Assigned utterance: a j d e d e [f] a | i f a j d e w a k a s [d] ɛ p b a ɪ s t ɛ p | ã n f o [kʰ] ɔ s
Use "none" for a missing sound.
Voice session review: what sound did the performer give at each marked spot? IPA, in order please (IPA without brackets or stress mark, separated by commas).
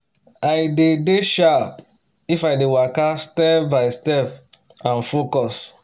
ʃ, t, k